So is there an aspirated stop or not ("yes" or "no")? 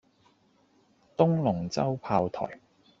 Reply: yes